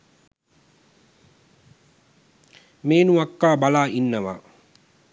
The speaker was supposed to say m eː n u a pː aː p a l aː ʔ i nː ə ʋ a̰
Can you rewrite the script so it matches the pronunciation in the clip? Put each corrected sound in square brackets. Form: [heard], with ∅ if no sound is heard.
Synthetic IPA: m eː n u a [kː] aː [b] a l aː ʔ i nː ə ʋ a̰